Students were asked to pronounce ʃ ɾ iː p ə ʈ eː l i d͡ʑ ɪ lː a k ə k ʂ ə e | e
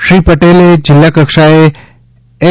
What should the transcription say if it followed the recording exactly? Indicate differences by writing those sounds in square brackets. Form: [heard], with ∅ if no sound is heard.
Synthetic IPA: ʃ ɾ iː p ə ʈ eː l [e] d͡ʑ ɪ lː a k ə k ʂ [a] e | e